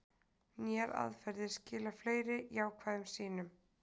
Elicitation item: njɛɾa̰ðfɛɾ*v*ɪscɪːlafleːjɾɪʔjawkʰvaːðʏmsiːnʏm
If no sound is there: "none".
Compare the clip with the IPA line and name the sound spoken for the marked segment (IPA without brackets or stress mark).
ð